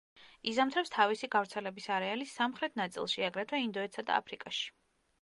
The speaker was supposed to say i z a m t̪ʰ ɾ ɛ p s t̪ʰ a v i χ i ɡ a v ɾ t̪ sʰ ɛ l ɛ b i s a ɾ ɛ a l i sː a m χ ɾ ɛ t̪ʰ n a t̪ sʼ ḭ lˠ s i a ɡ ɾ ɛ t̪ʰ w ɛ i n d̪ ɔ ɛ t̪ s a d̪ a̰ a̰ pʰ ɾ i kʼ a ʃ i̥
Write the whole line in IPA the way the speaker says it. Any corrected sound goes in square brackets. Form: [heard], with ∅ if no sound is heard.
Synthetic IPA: i z a m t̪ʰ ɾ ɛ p s t̪ʰ a v i [s] i ɡ a v ɾ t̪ sʰ ɛ l ɛ b i s a ɾ ɛ a l i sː a m χ ɾ ɛ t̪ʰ n a t̪ sʼ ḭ lˠ [ʃ] i a ɡ ɾ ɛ t̪ʰ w ɛ i n d̪ ɔ ɛ t̪ s a d̪ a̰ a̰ pʰ ɾ i kʼ a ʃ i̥